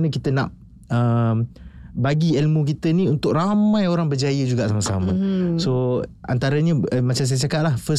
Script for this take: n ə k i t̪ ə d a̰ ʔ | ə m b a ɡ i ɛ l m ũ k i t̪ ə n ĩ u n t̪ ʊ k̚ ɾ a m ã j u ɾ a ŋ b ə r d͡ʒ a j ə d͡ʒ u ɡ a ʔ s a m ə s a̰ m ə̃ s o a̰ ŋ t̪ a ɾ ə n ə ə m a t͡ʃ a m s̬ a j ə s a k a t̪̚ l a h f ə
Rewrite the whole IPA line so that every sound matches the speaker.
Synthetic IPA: n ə k i t̪ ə n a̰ ʔ | ə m b a ɡ i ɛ l m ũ k i t̪ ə n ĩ u n t̪ ʊ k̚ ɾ a m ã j o ɾ a ŋ b ə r d͡ʒ a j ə d͡ʒ u ɡ a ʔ s a m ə s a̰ m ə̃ s o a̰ n t̪ a ɾ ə ɲ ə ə m a t͡ʃ a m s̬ a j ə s a k a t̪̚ l a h f ə